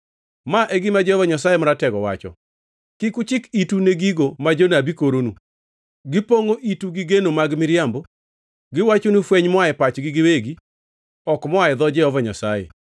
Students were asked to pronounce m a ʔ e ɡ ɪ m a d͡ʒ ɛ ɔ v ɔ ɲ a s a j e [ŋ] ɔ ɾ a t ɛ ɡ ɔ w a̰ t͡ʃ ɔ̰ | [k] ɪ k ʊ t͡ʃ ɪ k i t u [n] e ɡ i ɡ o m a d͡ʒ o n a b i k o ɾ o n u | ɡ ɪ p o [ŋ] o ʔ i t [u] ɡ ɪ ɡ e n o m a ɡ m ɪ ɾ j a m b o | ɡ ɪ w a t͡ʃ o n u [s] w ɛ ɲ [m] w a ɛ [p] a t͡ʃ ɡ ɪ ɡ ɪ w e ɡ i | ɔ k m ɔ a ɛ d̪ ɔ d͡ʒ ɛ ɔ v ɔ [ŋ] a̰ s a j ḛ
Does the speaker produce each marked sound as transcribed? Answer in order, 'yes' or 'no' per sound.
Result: no, yes, yes, yes, yes, no, yes, yes, no

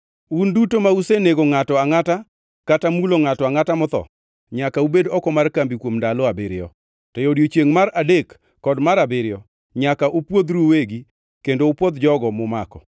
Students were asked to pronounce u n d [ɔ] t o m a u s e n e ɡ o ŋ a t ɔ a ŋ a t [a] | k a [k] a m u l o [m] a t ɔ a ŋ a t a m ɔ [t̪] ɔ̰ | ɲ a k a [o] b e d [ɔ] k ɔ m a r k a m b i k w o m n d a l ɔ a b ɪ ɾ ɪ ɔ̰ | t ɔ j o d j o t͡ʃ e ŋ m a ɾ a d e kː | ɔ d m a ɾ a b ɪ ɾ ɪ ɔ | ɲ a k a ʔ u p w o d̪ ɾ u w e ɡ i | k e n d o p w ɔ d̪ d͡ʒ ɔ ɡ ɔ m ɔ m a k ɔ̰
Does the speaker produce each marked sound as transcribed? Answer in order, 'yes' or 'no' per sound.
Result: no, yes, no, no, yes, no, yes

